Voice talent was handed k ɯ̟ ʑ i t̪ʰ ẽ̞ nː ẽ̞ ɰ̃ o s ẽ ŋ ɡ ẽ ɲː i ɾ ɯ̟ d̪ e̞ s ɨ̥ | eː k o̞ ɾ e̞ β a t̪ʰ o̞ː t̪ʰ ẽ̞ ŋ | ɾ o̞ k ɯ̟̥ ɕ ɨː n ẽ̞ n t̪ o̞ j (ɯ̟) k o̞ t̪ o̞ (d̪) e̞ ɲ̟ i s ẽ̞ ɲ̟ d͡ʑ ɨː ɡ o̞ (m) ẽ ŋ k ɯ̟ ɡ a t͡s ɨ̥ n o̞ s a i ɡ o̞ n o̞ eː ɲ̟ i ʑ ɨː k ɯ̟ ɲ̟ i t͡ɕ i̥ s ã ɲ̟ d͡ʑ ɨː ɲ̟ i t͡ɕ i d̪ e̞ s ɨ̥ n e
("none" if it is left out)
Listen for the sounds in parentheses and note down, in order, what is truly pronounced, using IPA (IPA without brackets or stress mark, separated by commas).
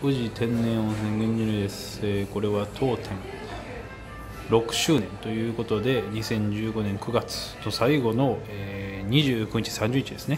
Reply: ɯ̟ː, d̪, n